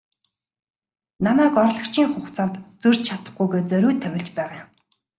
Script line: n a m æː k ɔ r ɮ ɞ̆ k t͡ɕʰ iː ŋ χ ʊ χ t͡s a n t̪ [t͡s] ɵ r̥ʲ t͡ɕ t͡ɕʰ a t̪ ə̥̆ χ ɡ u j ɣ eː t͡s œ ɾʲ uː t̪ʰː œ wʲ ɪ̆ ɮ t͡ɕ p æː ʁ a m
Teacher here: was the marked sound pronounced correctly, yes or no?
yes